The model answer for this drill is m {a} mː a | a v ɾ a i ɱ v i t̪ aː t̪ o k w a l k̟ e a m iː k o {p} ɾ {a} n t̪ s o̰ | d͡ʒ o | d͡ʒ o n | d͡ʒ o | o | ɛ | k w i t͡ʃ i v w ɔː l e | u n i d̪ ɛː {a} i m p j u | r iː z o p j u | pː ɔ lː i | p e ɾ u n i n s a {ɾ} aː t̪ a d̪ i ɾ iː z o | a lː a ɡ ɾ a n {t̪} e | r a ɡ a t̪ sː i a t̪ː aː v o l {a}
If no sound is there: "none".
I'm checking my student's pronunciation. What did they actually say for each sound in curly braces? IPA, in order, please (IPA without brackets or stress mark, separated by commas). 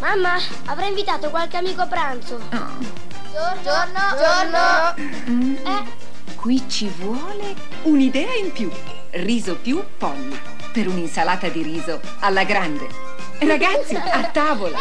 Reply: a, p, a, a, l, d̪, a